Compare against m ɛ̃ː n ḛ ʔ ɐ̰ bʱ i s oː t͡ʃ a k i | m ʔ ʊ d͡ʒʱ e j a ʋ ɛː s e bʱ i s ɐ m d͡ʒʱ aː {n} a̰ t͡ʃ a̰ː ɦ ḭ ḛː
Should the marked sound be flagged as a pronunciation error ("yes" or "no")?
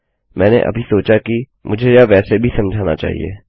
no